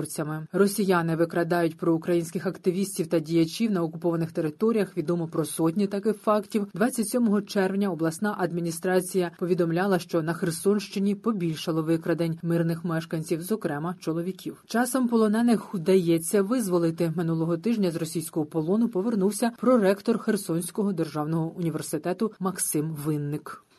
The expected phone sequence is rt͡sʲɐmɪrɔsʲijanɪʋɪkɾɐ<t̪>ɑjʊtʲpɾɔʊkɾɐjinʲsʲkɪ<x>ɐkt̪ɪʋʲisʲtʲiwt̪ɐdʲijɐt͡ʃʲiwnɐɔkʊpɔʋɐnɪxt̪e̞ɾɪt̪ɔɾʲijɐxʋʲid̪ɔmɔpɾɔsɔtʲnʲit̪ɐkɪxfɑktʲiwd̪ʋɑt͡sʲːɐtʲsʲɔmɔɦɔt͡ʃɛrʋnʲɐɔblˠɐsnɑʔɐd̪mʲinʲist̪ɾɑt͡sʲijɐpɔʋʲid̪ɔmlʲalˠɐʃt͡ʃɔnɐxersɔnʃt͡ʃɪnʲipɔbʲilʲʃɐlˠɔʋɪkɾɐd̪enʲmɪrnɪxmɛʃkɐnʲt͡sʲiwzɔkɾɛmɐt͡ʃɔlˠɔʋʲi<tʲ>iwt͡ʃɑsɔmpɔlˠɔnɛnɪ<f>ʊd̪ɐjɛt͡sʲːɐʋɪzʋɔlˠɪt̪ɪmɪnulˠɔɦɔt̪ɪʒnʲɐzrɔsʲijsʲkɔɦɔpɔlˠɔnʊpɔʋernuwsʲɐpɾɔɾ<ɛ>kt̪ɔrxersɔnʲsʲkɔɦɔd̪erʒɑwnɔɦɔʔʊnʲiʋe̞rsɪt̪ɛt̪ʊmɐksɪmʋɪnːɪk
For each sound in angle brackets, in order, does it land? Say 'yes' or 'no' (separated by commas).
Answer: no, yes, no, no, yes